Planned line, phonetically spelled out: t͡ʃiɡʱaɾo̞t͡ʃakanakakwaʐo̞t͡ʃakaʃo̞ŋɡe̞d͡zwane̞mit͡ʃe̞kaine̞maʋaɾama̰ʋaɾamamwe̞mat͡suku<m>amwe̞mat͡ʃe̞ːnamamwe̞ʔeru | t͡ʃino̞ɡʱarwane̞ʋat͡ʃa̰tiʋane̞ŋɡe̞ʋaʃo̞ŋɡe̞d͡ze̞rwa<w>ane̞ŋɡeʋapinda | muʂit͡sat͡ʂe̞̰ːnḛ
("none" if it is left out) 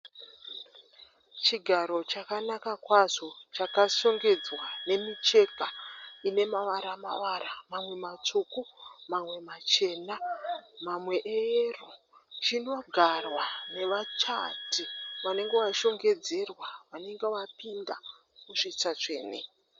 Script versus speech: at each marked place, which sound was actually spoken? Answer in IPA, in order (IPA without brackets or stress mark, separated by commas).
m, ʋ